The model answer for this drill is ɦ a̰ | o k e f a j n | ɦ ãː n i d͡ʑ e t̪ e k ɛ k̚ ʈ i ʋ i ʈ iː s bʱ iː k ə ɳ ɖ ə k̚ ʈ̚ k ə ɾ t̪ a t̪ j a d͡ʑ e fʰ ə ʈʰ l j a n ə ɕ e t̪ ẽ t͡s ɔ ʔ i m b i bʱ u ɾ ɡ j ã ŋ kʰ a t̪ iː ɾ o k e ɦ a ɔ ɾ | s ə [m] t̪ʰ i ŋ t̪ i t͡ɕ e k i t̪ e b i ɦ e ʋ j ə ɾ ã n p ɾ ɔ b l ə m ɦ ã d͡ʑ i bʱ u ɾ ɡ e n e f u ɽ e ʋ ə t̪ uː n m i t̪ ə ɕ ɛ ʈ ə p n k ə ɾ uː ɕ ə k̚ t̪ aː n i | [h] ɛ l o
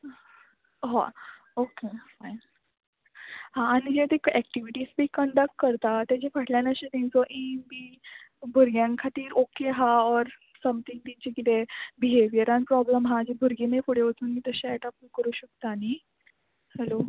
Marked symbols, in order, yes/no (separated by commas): yes, yes